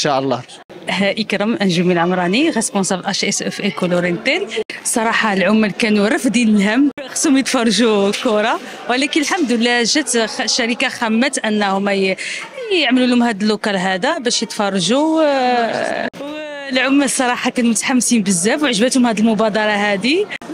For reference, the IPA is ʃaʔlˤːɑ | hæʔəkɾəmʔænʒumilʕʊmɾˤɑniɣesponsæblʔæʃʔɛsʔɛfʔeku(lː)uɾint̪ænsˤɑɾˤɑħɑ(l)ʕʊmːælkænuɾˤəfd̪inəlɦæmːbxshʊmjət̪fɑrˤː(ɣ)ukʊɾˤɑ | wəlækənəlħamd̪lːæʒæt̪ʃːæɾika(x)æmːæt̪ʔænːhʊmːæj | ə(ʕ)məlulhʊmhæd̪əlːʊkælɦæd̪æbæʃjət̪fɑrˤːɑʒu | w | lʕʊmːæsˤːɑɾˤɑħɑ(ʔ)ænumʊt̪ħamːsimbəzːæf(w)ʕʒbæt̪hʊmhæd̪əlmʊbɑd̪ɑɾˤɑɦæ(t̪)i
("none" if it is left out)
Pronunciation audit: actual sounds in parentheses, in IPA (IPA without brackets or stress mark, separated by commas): l, l, ʒ, x, ʕ, k, w, d̪